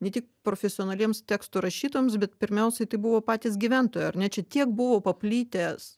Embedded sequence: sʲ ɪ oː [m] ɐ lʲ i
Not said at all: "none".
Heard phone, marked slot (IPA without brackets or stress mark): n